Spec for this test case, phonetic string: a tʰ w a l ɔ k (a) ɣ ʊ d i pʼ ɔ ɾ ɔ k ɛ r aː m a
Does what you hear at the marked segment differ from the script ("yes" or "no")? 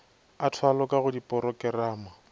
no